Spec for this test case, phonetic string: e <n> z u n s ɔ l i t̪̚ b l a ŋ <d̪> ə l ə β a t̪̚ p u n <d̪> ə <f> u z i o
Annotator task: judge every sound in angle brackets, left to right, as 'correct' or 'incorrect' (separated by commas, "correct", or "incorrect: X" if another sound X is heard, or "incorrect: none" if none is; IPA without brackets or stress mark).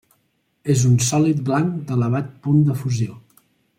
incorrect: none, correct, correct, correct